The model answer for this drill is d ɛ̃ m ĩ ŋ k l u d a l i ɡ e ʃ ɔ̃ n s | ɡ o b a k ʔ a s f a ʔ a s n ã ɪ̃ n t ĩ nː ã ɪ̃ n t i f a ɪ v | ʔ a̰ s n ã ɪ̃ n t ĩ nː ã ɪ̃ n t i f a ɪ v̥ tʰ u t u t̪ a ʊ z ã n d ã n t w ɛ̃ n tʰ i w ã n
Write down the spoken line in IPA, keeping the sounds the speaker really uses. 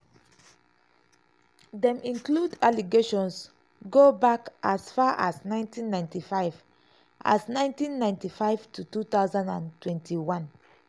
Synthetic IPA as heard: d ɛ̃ m ĩ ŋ k l u d a l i ɡ e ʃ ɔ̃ n s | ɡ o b a k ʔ a s f a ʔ a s n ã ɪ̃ n t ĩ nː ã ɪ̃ n t i f a ɪ v | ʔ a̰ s n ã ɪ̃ n t ĩ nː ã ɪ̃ n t i f a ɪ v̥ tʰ u t u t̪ a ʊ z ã n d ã n t w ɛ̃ n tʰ i w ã n